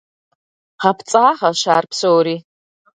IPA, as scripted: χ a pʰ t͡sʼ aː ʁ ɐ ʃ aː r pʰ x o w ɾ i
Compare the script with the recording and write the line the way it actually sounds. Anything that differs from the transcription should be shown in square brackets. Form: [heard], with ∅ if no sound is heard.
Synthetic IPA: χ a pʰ t͡sʼ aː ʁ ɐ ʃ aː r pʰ [s] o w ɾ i